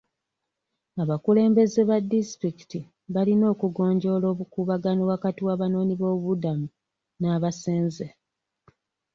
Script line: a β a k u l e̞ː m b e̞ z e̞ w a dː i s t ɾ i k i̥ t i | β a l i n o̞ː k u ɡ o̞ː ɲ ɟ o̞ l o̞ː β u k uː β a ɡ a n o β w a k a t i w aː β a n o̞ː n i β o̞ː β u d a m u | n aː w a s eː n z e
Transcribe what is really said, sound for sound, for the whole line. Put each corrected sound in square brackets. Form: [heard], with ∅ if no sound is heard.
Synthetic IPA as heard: a β a k u l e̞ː m b e̞ z e̞ [β] a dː i s t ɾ i k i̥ t i | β a l i n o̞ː k u ɡ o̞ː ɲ ɟ o̞ l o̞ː β u k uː β a ɡ a n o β w a k a t i w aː β a n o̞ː n i β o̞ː β u d a m u | n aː [β] a s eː n z e